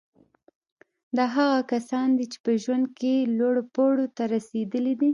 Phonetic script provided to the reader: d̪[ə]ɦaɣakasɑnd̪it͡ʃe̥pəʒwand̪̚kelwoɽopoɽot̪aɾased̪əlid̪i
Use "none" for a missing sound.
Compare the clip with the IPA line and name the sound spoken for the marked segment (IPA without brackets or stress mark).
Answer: ɑ